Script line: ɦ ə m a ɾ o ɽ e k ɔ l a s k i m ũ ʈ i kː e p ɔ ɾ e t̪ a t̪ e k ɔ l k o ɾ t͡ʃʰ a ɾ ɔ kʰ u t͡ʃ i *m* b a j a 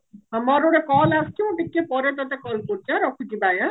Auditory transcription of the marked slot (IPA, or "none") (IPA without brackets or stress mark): none